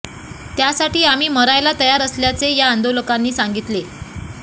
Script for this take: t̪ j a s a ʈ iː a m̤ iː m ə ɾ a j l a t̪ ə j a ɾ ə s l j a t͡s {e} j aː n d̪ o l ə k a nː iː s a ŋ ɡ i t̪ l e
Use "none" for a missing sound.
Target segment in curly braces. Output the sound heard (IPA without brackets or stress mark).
e